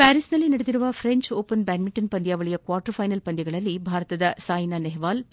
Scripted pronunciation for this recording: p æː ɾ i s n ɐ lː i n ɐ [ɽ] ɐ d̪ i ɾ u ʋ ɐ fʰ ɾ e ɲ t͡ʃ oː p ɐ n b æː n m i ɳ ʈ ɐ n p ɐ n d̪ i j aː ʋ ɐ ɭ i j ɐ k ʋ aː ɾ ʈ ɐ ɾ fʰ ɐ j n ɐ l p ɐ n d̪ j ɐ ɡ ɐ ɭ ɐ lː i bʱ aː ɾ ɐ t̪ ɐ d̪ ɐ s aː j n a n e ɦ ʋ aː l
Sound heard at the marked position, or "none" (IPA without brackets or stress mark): ɽ